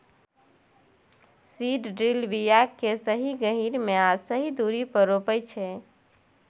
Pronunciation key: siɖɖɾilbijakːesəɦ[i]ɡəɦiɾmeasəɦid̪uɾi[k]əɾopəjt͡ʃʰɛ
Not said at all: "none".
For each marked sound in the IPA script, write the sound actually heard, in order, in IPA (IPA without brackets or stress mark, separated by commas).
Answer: i, p